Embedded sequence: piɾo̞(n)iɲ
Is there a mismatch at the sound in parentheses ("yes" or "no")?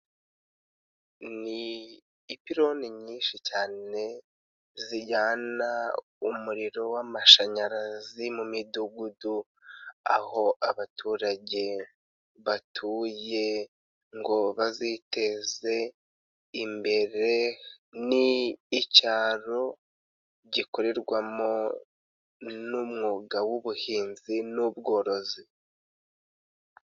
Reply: no